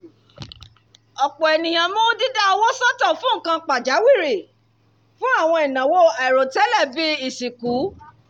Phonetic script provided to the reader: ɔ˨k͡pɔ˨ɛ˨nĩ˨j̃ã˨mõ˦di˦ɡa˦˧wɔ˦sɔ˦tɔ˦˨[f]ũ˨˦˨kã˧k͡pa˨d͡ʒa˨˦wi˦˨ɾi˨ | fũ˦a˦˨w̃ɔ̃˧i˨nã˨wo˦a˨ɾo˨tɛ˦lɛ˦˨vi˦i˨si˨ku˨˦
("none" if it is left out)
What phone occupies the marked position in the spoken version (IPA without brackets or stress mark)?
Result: f